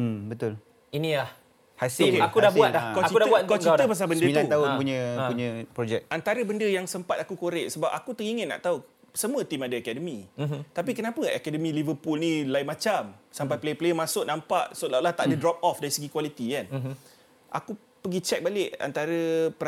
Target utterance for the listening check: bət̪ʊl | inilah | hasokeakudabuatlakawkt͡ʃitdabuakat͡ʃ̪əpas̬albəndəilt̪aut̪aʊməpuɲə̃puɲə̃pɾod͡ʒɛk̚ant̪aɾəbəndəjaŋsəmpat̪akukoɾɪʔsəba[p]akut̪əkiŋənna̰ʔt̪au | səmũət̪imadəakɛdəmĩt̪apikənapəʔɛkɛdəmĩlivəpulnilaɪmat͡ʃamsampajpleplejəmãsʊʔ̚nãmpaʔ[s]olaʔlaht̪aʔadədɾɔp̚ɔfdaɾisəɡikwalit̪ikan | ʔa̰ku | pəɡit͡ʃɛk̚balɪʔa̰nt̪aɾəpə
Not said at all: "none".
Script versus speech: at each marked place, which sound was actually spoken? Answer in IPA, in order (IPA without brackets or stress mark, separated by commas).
p, s